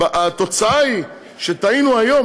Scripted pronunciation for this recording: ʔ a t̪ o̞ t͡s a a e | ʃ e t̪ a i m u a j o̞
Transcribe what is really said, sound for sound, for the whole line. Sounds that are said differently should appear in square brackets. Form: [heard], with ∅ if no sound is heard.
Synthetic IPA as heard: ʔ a t̪ o̞ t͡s a a [i] | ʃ e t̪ a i [n] u a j o̞